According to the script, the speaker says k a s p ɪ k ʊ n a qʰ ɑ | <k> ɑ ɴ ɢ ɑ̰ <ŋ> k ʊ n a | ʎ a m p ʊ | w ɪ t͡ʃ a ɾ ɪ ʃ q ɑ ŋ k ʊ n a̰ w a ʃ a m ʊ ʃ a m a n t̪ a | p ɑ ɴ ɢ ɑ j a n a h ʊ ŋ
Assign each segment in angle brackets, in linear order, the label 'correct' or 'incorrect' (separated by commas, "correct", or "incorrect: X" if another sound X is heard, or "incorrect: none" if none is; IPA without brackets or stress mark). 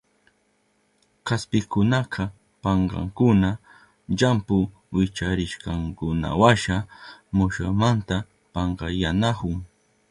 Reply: incorrect: p, correct